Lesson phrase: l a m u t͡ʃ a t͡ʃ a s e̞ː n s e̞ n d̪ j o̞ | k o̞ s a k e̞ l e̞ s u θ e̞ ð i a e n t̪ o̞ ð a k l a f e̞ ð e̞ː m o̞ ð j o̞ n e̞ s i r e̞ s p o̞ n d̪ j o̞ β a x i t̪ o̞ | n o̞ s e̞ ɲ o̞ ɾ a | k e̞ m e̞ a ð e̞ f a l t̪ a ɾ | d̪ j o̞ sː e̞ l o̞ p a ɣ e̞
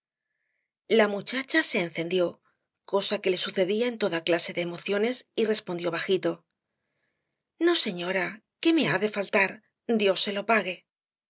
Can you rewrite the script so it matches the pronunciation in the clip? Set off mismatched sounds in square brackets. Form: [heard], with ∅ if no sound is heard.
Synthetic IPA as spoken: l a m u t͡ʃ a t͡ʃ a s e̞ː n [θ] e̞ n d̪ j o̞ | k o̞ s a k e̞ l e̞ s u θ e̞ ð i a e n t̪ o̞ ð a k l a [s] e̞ ð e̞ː m o̞ [θ] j o̞ n e̞ s i r e̞ s p o̞ n d̪ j o̞ β a x i t̪ o̞ | n o̞ s e̞ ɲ o̞ ɾ a | k e̞ m e̞ a ð e̞ f a l t̪ a ɾ | d̪ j o̞ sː e̞ l o̞ p a ɣ e̞